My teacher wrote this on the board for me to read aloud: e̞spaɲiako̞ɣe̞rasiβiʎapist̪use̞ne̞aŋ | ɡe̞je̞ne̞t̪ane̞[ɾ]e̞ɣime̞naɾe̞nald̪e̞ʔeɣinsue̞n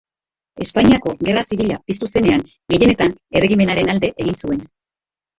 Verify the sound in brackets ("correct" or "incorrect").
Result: incorrect